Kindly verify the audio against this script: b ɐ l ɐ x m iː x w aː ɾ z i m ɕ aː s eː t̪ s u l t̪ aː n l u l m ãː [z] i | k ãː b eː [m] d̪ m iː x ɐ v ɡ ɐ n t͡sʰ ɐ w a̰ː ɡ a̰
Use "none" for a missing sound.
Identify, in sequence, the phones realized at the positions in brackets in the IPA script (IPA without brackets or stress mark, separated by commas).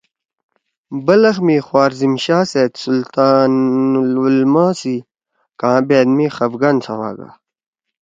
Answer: s, none